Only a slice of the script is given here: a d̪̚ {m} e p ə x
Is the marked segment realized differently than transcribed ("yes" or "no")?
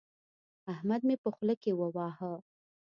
no